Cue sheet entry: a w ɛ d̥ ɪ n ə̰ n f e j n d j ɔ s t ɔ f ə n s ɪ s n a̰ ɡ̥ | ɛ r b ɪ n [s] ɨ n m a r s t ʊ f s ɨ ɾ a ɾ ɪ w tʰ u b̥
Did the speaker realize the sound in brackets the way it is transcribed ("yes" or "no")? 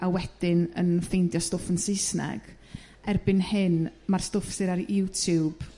no